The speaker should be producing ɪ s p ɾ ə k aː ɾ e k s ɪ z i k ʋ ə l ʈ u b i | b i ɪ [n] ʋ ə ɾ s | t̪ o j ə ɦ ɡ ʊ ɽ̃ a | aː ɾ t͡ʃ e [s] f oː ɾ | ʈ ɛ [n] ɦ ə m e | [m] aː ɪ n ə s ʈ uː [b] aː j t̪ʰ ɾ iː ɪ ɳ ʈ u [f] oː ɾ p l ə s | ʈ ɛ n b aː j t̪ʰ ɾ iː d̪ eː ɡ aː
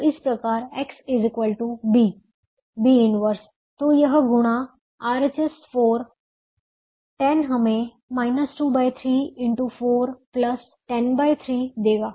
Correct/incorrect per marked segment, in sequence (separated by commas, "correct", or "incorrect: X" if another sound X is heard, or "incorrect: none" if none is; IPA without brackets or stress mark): correct, correct, correct, correct, correct, correct